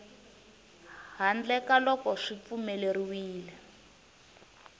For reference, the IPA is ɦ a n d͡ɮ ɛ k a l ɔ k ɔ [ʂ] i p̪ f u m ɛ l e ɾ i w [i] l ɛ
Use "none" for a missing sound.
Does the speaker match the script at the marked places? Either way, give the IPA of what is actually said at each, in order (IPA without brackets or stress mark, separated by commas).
ʂ, iː